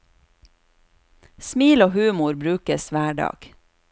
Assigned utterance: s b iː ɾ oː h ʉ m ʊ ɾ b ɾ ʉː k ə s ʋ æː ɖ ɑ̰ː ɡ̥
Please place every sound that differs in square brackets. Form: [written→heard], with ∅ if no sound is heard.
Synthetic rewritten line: s [b→m] iː [ɾ→l] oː h [ʉ→ʉː] m ʊ ɾ b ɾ ʉː k ə s ʋ æː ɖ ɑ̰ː ɡ̥

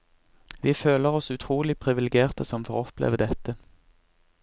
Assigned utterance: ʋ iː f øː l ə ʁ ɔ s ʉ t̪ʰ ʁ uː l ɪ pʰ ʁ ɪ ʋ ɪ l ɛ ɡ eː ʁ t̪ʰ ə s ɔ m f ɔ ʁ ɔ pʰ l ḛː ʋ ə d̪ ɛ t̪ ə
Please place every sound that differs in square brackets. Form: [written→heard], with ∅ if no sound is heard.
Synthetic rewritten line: ʋ iː f øː l ə ʁ ɔ s ʉ t̪ʰ ʁ uː l ɪ pʰ ʁ ɪ ʋ ɪ l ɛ ɡ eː ʁ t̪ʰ ə s ɔ m f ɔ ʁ ɔ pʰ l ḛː ʋ ə d̪ ɛ t̪ ə

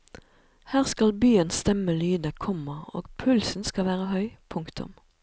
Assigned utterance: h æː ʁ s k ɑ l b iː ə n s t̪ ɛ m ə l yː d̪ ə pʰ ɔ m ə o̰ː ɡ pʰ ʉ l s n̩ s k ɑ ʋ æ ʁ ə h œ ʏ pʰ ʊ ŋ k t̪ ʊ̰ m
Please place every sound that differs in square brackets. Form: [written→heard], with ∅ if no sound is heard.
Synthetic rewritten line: h æː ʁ s k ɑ l b [iː→yː] ə n s t̪ ɛ m ə l yː d̪ ə [pʰ→kʰ] ɔ m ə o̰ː ɡ pʰ ʉ l s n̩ s k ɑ ʋ [æ→æː] ʁ ə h œ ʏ pʰ ʊ ŋ k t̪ ʊ̰ m

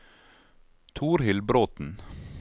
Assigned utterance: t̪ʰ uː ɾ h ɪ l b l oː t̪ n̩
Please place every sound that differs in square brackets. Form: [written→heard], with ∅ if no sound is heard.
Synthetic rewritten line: t̪ʰ uː ɾ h ɪ l b [l→ɾ] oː t̪ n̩

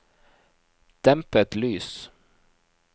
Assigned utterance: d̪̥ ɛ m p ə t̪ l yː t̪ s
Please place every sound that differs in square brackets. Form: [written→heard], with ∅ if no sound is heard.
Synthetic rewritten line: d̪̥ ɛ m p ə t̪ l yː [t̪→∅] s

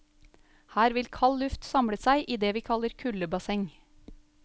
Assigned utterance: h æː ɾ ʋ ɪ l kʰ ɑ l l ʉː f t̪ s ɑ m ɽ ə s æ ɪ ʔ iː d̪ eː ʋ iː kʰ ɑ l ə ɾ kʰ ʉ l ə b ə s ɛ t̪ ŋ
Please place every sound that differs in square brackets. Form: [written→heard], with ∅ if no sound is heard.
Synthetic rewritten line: h æː ɾ ʋ ɪ l kʰ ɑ l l [ʉː→ʉ] f t̪ s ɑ m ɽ ə s æ ɪ ʔ iː d̪ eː ʋ iː kʰ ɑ l ə ɾ kʰ ʉ l ə b [ə→ɑ] s ɛ [t̪→∅] ŋ

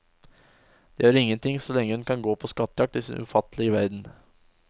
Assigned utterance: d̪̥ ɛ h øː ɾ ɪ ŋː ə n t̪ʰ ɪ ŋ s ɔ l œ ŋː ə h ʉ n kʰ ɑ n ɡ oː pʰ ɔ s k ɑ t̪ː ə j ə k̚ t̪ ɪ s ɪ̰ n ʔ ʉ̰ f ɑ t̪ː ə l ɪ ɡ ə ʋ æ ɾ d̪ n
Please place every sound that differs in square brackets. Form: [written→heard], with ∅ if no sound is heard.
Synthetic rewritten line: d̪̥ ɛ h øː ɾ ɪ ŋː ə n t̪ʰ ɪ ŋ s ɔ l [œ→ɛ] ŋː ə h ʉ n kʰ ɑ n ɡ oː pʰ ɔ s k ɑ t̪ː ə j [ə→ɑ] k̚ t̪ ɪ s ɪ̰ n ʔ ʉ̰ f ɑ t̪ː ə l ɪ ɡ ə ʋ æ ɾ d̪ n

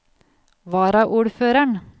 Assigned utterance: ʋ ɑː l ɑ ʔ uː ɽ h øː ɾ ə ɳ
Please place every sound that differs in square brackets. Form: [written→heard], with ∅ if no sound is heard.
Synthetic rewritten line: ʋ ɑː [l→ɾ] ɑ ʔ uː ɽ [h→f] øː ɾ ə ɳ

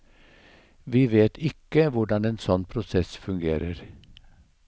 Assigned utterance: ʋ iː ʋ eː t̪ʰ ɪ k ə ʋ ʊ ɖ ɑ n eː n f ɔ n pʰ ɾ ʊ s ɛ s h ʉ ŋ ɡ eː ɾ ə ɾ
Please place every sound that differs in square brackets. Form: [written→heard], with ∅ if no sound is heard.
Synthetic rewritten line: ʋ iː ʋ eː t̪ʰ ɪ k ə ʋ ʊ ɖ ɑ n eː n [f→s] ɔ n pʰ ɾ ʊ s ɛ s [h→f] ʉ ŋ ɡ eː ɾ ə ɾ

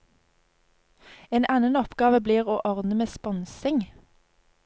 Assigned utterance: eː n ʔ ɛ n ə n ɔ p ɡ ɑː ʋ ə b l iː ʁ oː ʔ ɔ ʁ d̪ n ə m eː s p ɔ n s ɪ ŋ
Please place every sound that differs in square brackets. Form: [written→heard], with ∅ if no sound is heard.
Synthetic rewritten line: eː n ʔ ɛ n ə n ɔ p ɡ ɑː ʋ ə b l iː ʁ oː ʔ ɔ ʁ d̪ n ə m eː s p ɔ n s ɪ ŋ

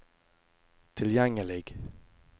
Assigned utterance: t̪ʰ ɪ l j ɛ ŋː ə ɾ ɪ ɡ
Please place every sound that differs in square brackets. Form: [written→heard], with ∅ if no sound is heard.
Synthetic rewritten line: t̪ʰ ɪ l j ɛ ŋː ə [ɾ→l] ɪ ɡ

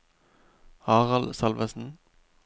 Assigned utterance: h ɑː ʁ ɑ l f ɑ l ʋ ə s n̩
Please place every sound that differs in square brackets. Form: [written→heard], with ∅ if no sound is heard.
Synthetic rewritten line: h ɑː ʁ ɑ l [f→s] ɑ l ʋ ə s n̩

